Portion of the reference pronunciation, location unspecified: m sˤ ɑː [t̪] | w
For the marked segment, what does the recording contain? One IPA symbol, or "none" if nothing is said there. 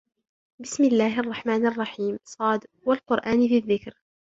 d̪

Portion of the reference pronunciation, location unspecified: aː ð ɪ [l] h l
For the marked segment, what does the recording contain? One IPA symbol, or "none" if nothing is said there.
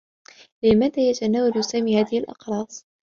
none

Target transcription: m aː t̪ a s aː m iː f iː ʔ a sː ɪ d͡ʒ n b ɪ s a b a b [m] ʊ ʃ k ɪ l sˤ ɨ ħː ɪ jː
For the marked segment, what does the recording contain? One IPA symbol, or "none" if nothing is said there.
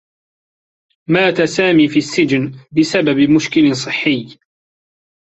m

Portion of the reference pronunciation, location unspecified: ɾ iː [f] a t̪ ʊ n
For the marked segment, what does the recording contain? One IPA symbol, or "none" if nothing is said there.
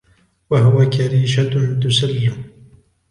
ʃ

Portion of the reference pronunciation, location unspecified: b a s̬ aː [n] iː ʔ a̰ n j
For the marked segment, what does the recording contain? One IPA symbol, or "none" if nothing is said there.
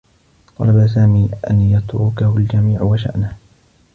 m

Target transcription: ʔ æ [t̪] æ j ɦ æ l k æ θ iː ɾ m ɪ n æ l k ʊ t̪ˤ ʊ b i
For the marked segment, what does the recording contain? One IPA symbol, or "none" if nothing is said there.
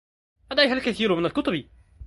d̪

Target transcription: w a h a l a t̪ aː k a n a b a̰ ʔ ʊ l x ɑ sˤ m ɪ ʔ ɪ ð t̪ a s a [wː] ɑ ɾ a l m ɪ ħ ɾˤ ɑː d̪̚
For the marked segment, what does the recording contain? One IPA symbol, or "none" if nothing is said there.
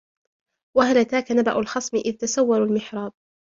wː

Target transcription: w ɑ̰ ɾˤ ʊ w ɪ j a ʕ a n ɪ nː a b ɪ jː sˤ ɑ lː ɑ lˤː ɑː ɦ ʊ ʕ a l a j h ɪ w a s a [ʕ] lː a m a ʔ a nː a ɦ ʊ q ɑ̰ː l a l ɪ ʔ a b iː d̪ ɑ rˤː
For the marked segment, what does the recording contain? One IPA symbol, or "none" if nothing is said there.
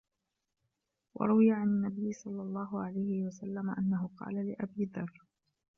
none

